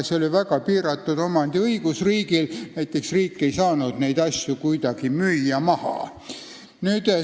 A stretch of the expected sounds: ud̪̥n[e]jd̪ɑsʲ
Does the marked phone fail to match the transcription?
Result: no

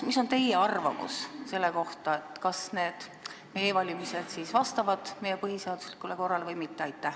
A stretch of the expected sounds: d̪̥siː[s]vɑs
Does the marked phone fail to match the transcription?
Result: no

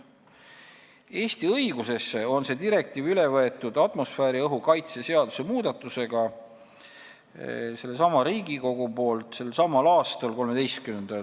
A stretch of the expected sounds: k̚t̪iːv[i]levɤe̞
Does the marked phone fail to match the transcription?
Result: yes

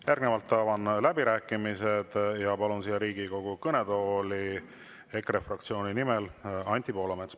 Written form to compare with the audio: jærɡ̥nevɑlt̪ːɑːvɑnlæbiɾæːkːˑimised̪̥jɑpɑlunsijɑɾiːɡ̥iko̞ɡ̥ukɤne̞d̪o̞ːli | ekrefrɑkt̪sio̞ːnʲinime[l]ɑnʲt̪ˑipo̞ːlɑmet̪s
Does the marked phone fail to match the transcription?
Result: no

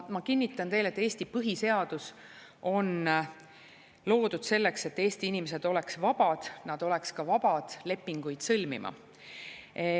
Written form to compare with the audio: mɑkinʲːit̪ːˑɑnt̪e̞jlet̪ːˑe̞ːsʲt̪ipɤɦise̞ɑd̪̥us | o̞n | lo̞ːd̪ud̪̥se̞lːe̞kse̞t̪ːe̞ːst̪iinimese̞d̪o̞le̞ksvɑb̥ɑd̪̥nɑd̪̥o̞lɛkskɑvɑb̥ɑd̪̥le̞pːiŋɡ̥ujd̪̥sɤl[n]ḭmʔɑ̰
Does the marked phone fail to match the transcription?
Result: yes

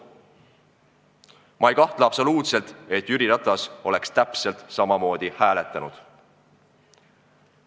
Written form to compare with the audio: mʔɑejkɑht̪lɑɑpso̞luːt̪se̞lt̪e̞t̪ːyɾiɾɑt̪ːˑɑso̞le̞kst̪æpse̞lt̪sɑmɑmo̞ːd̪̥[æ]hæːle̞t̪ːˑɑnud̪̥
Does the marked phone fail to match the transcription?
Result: yes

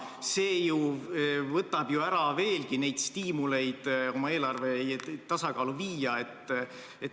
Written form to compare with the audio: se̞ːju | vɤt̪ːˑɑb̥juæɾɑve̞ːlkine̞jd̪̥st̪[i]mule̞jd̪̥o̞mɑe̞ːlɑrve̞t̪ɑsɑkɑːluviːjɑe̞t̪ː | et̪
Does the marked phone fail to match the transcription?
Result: yes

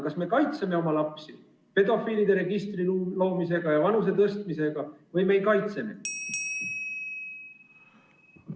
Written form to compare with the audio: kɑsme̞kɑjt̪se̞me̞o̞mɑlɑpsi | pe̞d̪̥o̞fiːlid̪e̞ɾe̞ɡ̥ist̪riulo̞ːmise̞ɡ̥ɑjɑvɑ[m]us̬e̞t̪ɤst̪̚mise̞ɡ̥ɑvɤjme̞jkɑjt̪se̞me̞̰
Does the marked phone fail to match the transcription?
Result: yes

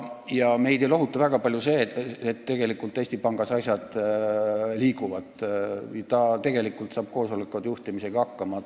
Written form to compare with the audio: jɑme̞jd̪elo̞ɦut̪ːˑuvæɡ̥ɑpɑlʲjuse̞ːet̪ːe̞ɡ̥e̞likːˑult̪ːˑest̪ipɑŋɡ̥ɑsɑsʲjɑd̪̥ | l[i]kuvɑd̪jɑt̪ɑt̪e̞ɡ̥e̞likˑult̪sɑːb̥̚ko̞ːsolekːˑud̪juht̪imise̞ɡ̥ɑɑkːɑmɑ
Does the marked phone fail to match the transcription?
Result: yes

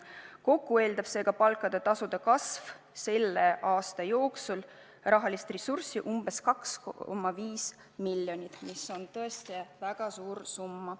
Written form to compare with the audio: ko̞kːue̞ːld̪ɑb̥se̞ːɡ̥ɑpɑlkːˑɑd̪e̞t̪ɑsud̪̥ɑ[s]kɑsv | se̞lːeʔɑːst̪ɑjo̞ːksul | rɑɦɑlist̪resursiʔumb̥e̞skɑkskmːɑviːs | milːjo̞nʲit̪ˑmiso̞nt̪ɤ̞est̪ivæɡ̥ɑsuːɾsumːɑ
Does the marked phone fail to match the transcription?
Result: yes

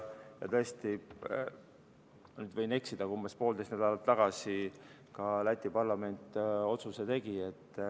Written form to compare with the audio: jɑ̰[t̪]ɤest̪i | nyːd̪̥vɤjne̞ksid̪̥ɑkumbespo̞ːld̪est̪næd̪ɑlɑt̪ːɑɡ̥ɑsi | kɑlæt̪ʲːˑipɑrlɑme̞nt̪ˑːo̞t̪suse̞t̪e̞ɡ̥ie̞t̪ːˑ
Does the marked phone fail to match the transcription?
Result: no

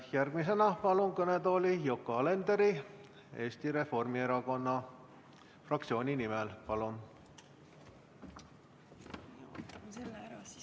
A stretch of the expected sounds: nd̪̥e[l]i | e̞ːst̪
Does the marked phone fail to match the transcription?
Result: yes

